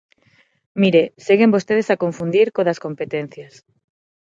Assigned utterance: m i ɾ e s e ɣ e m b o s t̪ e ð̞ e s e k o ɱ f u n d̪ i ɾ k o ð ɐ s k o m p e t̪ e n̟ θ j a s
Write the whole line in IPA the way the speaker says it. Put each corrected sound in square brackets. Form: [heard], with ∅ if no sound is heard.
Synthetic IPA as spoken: m i ɾ e s e ɣ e m b o s t̪ e ð̞ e s [a] k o ɱ f u n d̪ i ɾ k o ð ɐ s k o m p e t̪ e n̟ θ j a s